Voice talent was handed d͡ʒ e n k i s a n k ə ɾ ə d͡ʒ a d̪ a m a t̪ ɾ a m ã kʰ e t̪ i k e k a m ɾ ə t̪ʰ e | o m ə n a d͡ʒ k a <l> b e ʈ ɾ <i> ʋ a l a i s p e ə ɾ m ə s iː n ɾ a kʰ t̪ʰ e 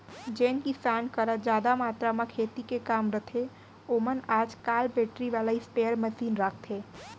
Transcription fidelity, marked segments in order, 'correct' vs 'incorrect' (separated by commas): correct, correct